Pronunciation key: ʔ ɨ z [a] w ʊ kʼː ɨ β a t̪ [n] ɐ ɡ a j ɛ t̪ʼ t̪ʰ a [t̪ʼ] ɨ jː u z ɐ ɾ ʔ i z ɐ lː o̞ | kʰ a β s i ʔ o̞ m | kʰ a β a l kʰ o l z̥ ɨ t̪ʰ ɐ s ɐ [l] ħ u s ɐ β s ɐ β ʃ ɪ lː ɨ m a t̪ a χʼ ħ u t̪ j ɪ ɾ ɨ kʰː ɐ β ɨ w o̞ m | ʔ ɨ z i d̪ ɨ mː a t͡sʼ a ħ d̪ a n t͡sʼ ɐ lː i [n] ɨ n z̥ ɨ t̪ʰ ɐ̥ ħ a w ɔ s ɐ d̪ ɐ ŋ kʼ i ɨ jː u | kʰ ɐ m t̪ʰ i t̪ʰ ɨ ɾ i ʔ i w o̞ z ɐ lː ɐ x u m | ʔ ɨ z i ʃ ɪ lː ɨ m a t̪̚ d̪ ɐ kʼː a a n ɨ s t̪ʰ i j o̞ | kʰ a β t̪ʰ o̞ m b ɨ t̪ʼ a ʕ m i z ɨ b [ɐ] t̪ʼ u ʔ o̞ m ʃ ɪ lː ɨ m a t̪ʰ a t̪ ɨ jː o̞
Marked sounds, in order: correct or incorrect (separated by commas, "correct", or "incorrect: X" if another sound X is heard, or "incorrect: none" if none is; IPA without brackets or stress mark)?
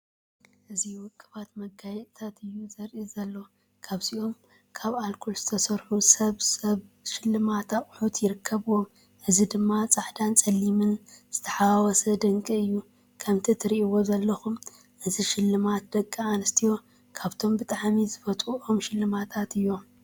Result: incorrect: i, incorrect: m, incorrect: t̪, incorrect: ɾ, incorrect: m, correct